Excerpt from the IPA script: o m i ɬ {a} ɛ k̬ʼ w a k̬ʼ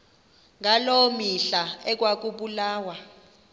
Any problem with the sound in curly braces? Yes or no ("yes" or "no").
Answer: no